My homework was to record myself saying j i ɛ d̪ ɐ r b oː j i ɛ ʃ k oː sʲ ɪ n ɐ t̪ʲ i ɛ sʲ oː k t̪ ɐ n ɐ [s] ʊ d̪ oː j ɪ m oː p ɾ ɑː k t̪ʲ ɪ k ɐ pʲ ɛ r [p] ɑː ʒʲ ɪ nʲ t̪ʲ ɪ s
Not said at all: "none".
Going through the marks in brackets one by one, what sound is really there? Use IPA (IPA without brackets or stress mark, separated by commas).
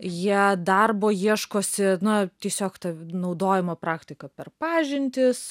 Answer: none, p